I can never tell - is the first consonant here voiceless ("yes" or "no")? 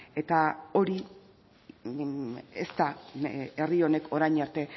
yes